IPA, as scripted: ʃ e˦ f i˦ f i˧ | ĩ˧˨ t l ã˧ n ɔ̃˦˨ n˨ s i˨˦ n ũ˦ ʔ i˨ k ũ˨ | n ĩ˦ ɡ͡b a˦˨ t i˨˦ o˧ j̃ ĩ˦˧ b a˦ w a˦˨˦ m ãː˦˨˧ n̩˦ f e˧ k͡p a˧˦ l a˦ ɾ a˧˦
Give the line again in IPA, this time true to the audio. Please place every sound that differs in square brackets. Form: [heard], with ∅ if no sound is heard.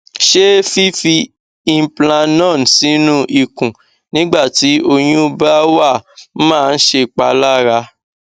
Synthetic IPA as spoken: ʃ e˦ f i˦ f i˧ | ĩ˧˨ [p] l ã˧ n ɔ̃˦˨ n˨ s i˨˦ n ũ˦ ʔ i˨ k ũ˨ | n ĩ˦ ɡ͡b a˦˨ t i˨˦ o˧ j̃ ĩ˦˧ b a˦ w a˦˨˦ m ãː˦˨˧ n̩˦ [ʃ] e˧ k͡p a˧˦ l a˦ ɾ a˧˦